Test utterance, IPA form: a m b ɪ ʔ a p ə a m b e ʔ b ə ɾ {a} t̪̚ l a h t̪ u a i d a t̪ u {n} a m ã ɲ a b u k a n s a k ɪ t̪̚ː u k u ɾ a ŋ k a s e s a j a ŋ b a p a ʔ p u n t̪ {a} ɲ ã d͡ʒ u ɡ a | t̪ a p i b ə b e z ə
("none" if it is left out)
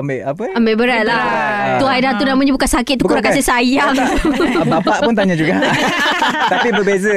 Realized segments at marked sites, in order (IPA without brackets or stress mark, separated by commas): a, n, a